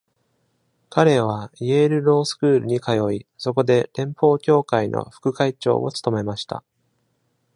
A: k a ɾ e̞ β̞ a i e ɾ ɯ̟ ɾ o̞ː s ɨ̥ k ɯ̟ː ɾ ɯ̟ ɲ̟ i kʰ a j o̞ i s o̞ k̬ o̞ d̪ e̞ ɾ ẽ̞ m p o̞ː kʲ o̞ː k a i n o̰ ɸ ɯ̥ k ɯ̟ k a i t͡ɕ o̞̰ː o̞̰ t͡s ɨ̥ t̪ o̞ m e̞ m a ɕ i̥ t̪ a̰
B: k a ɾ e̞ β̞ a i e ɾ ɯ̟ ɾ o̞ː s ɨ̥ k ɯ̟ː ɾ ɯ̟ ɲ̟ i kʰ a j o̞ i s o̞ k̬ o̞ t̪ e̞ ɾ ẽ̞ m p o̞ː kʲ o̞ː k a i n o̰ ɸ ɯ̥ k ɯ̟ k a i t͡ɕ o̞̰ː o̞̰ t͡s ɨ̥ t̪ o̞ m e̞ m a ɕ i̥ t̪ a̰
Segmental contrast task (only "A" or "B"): A